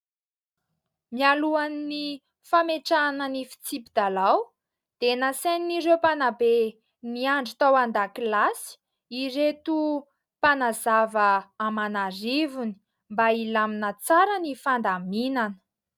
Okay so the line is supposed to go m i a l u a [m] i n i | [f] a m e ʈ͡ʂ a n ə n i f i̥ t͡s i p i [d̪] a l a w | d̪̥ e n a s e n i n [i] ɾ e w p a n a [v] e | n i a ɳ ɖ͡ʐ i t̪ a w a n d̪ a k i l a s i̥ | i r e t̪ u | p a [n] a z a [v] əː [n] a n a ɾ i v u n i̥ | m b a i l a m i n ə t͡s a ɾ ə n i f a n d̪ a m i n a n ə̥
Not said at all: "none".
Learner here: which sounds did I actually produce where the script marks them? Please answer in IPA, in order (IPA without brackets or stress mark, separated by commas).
n, f, d̪, i, b, n, v, m